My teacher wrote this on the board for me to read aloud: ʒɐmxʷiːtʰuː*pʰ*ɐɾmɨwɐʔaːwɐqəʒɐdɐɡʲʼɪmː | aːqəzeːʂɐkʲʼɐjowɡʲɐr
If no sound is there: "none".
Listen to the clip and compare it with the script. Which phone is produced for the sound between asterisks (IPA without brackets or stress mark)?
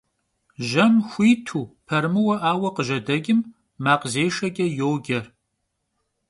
pʰ